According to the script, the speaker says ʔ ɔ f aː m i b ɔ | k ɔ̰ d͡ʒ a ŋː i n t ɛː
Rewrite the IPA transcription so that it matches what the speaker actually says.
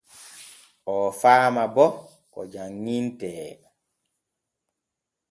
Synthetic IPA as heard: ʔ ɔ f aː m a b ɔ | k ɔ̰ d͡ʒ a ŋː i n t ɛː